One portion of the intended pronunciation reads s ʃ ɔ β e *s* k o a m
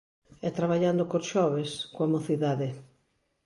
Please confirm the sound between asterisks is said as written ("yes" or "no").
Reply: yes